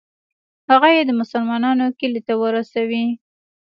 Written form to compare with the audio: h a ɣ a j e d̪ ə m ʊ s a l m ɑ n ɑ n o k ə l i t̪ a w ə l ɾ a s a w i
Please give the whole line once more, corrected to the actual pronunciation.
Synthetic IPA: h a ɣ a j e d̪ ə m ʊ s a l m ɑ n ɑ n o k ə l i t̪ a w ə ɾ a s a w i